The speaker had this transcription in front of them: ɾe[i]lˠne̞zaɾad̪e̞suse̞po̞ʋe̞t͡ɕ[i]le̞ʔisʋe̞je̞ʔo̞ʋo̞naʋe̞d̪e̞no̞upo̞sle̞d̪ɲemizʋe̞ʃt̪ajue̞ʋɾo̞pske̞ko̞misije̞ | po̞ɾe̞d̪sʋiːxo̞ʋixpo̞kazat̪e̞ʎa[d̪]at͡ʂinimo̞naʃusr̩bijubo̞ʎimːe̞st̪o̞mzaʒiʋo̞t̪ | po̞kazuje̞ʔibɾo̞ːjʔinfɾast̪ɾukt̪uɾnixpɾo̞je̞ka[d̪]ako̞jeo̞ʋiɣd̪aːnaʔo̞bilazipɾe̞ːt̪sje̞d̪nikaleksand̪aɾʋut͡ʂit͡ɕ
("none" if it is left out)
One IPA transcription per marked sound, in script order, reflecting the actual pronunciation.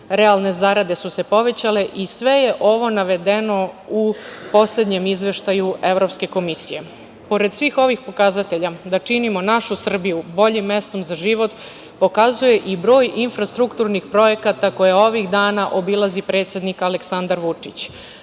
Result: a, a, d̪, t̪

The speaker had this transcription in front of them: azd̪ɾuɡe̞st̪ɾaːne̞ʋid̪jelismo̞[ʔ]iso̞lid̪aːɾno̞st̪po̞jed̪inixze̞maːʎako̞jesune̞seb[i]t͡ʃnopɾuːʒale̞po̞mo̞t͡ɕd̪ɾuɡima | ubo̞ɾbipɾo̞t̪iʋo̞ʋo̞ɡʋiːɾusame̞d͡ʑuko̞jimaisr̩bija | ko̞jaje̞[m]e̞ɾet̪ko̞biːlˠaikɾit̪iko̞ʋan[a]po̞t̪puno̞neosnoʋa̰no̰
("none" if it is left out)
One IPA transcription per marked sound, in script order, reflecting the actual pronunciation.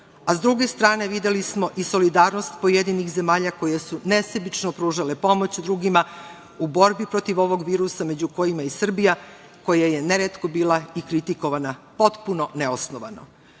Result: ʔ, i, n, a

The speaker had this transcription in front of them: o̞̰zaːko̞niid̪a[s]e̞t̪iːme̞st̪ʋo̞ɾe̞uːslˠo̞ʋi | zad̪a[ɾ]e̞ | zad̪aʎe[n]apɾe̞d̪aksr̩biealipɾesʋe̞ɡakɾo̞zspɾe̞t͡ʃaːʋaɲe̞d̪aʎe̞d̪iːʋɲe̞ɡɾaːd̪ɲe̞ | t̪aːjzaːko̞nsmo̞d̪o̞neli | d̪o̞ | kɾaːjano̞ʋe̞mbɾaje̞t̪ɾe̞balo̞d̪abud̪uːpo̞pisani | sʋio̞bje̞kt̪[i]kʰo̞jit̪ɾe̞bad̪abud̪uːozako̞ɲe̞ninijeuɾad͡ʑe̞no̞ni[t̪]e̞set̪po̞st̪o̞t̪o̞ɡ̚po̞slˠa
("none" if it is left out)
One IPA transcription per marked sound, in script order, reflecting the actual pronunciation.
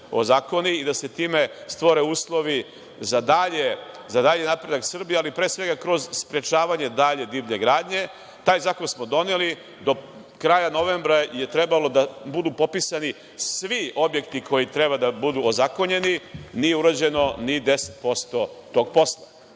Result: s, ʎ, n, i, d̪

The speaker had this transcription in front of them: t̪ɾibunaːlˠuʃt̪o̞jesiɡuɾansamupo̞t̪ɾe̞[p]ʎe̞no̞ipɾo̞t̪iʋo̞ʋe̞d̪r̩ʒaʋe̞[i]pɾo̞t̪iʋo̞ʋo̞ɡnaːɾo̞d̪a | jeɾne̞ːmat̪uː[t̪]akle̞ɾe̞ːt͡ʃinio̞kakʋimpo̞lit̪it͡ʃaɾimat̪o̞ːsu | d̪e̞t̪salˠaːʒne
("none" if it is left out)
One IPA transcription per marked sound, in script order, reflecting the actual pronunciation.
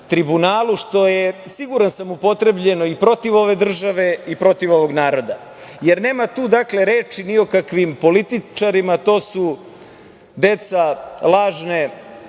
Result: b, i, d̪

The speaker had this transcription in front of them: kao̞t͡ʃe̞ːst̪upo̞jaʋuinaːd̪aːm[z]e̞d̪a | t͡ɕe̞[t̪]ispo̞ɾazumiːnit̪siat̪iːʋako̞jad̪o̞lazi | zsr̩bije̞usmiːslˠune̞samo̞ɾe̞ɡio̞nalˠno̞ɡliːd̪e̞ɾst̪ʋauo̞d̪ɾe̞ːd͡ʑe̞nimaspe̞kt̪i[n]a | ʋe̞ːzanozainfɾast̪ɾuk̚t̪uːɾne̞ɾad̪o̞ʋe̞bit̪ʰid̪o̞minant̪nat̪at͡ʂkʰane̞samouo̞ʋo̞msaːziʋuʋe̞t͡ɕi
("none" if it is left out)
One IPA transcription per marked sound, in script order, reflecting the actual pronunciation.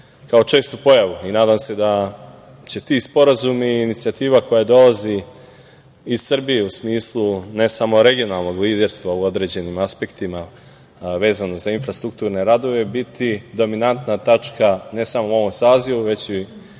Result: s, t̪, m

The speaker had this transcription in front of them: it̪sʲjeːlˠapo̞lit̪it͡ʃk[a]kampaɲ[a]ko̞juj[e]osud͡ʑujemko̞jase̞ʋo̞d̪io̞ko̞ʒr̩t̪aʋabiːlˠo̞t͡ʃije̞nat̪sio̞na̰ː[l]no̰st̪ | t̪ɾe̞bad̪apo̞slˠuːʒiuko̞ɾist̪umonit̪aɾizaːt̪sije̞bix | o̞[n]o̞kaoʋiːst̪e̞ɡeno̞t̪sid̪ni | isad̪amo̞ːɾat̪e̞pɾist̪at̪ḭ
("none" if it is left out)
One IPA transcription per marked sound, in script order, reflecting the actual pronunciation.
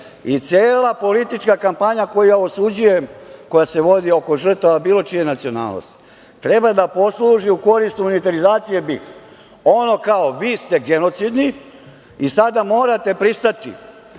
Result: a, a, a, l, n

